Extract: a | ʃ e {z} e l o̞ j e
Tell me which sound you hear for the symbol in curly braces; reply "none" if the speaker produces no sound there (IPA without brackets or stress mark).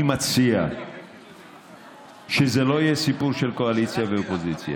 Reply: z